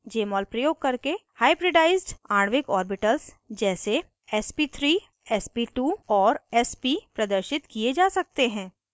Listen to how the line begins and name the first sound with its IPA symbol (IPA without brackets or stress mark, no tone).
d͡ʒ